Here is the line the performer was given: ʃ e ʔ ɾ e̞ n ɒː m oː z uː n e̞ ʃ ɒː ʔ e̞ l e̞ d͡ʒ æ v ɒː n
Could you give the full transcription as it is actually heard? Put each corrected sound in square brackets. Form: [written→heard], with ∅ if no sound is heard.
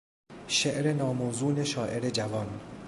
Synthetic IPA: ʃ e ʔ ɾ e̞ n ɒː m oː z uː n e̞ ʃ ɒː ʔ e̞ [l→ɾ] e̞ d͡ʒ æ v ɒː n